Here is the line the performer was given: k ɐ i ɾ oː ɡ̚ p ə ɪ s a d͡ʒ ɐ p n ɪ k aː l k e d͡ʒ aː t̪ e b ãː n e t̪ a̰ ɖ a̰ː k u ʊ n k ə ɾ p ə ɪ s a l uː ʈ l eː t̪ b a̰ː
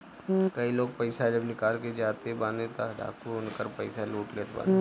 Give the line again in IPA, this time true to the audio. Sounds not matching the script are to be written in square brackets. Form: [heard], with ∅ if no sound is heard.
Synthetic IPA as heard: k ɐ i [l] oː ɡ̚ p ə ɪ s a d͡ʒ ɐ [b] n ɪ k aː l k e d͡ʒ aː t̪ e b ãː n e t̪ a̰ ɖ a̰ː k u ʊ n k ə ɾ p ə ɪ s a l uː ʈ l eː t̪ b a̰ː